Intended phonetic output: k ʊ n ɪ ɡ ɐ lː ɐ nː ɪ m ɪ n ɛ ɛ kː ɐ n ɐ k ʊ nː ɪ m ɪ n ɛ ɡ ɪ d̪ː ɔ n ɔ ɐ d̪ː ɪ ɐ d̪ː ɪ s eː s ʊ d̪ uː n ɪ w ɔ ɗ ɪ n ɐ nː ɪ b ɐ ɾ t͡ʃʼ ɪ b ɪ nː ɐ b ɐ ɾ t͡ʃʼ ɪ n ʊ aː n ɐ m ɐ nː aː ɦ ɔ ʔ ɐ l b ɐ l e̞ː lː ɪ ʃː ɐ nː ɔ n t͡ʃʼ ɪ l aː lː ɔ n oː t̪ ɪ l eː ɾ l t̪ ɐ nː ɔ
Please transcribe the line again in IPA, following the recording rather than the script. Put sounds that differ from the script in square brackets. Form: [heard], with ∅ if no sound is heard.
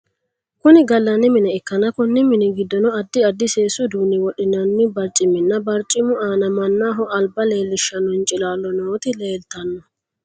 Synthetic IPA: k ʊ n ɪ ɡ ɐ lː ɐ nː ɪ m ɪ n ɛ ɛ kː ɐ n ɐ k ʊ nː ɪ m ɪ n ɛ ɡ ɪ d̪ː ɔ n ɔ ɐ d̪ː ɪ ɐ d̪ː ɪ s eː s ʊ d̪ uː n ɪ w ɔ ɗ ɪ n ɐ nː ɪ b ɐ ɾ t͡ʃʼ ɪ [m] ɪ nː ɐ b ɐ ɾ t͡ʃʼ ɪ [m] ʊ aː n ɐ m ɐ nː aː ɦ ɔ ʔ ɐ l b ɐ l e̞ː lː ɪ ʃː ɐ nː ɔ n t͡ʃʼ ɪ l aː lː ɔ n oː t̪ ɪ l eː [∅] l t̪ ɐ nː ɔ